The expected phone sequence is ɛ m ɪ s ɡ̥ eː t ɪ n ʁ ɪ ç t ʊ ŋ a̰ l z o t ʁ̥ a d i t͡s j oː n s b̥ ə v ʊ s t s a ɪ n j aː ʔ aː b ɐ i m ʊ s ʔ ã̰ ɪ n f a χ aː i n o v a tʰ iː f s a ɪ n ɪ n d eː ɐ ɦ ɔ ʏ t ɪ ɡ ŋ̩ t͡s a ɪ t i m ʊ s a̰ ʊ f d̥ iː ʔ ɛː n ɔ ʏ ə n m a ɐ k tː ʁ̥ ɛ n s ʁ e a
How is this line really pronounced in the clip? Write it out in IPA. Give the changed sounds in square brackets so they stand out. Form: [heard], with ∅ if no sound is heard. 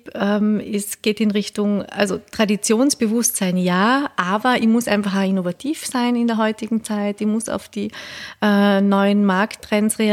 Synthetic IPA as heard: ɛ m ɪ s ɡ̥ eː t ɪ n ʁ ɪ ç t ʊ ŋ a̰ l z o t ʁ̥ a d i t͡s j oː n s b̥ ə v ʊ s t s a ɪ n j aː ʔ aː b ɐ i m ʊ s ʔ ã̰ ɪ n f a χ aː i n o v a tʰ iː f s a ɪ n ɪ n d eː ɐ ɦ ɔ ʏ t ɪ ɡ ŋ̩ t͡s a ɪ t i m ʊ s a̰ ʊ f d̥ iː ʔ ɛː n ɔ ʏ ə n m a ɐ k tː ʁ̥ ɛ n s ʁ e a